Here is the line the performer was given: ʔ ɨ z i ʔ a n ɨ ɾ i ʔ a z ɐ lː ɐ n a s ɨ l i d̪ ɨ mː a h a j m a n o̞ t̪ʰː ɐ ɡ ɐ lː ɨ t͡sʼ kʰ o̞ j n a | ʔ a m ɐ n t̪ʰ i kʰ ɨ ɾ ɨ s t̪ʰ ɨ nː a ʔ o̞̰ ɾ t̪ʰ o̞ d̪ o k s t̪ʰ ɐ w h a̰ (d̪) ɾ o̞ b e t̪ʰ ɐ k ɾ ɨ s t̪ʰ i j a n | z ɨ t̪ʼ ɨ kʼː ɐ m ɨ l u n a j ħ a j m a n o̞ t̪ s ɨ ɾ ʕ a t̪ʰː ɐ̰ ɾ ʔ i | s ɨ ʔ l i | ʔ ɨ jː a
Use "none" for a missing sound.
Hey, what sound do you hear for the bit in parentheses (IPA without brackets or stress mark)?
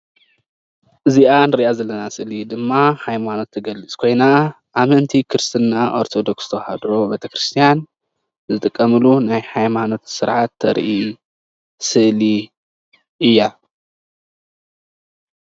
d̪